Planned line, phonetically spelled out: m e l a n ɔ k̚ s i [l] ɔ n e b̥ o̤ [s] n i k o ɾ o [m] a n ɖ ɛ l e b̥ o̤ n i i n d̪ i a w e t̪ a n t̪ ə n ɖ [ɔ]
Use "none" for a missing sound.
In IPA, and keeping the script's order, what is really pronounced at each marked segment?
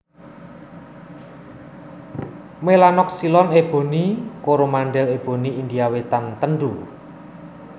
l, none, m, u

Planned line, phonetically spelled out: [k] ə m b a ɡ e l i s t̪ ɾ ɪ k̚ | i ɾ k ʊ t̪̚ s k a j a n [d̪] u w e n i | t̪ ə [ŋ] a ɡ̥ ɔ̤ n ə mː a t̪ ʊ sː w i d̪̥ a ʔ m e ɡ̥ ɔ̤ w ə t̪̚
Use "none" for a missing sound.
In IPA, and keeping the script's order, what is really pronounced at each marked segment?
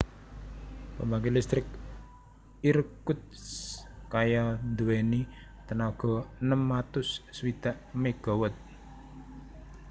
p, d̪, n

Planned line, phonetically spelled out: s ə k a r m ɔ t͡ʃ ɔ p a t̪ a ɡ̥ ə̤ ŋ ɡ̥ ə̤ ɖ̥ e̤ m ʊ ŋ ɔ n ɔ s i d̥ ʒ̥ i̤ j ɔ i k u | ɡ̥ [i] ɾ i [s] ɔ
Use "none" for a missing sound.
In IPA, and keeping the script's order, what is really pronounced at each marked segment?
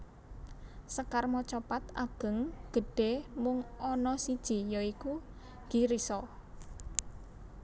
i, s

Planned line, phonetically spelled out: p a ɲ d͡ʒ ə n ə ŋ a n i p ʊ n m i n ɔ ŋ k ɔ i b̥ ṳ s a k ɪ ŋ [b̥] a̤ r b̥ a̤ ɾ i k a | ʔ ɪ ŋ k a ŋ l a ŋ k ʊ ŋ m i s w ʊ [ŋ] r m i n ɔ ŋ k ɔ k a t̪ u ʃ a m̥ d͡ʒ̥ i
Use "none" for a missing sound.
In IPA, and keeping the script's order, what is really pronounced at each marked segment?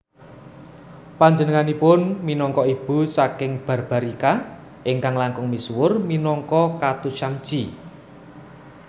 b̥, none

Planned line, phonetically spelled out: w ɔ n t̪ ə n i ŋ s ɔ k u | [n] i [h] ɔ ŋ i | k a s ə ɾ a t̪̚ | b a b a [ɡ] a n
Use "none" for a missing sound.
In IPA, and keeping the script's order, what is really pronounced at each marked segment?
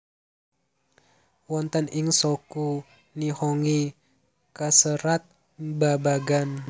n, h, ɡ

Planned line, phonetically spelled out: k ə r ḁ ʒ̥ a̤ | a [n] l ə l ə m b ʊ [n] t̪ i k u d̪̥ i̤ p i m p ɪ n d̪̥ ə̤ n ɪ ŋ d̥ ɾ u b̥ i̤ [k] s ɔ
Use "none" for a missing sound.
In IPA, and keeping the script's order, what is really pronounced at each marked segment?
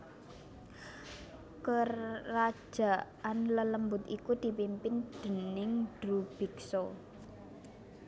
n, none, k

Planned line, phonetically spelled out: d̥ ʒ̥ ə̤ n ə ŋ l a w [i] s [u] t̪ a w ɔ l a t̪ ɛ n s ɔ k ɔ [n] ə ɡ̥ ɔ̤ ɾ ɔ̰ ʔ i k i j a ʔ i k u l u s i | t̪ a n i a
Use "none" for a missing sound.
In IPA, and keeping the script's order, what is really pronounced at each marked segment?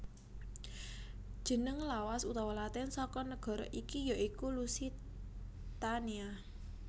a, u, n

